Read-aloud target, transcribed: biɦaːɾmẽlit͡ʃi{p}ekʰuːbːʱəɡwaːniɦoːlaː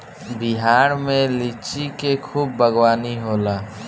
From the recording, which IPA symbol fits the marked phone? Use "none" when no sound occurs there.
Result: k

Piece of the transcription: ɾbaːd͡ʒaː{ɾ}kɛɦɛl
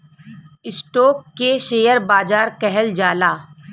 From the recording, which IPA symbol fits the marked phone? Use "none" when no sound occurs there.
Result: ɾ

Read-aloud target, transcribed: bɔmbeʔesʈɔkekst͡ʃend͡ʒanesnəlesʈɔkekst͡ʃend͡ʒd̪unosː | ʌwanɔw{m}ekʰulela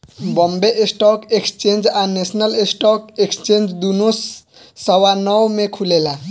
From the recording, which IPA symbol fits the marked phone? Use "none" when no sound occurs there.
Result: m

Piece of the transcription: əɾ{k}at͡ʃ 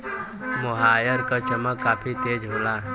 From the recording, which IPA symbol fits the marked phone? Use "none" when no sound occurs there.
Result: k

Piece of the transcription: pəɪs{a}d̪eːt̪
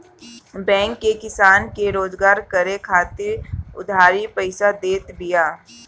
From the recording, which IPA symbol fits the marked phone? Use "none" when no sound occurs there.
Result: a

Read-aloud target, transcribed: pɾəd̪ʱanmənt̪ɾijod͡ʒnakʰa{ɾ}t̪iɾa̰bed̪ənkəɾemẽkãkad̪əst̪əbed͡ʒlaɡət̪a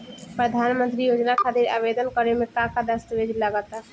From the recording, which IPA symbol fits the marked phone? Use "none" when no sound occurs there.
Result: none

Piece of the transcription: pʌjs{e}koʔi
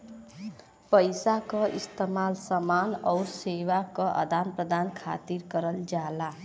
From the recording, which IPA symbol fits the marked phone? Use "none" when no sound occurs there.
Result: a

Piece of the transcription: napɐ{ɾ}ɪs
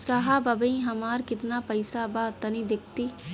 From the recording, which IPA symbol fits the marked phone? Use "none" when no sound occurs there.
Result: none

